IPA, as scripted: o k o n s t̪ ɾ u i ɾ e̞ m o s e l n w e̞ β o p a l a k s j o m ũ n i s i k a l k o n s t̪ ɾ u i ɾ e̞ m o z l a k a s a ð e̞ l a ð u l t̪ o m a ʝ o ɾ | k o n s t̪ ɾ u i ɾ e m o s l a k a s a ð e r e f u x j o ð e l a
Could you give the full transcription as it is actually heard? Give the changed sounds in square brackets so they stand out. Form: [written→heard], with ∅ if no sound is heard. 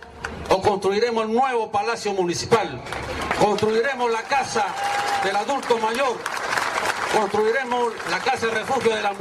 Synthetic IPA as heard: o k o n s t̪ ɾ u i ɾ e̞ m o s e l n w e̞ β o p a l a [k→∅] s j o m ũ n i s i [k→p] a l k o n s t̪ ɾ u i ɾ e̞ m o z l a k a s a ð e̞ l a ð u l t̪ o m a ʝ o ɾ | k o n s t̪ ɾ u i ɾ e m o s l a k a s a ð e r e f u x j o ð e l a